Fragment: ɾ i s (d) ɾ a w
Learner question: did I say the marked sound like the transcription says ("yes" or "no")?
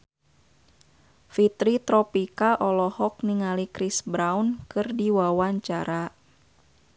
no